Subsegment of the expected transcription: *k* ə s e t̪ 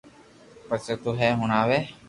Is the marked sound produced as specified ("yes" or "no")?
no